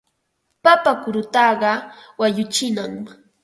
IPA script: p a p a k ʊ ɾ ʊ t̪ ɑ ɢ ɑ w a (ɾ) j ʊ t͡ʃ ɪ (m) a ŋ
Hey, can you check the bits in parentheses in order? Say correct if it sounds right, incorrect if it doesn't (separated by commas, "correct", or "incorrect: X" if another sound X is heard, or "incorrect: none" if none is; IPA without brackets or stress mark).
incorrect: none, incorrect: n